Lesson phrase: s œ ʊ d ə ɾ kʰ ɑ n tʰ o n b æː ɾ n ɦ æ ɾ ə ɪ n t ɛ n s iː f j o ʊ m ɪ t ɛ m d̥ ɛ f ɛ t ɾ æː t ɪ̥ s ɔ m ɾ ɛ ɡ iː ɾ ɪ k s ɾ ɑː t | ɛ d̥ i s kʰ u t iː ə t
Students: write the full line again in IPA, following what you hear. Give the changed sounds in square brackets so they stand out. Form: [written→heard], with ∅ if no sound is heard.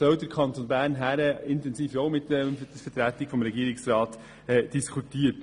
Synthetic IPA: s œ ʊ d ə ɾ kʰ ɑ n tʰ o n b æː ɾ n ɦ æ ɾ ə ɪ n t ɛ n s iː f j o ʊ m ɪ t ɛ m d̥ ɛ f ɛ t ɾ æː t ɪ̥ [s→f] ɔ m ɾ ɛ ɡ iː ɾ ɪ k s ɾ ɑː t | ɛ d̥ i s kʰ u t iː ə t